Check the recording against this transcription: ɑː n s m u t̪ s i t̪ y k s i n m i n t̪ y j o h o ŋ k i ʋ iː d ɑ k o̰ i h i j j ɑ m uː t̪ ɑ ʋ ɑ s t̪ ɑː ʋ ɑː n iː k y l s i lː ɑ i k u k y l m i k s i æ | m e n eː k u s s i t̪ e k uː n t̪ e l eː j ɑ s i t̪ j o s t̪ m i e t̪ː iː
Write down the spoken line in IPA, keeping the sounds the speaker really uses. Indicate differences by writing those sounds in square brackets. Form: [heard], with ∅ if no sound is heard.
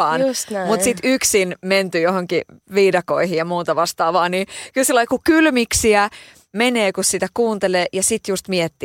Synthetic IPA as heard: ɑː n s m u t̪ s i t̪ y k s i n m [e] n t̪ y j o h o ŋ k i ʋ iː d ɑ k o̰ i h i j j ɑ m uː t̪ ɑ ʋ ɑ s t̪ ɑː ʋ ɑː n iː k y l s i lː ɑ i k u k y l m i k s i æ | m e n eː k u s s i t̪ [æ] k uː n t̪ e l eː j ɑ s i t̪ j [u] s t̪ m i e t̪ː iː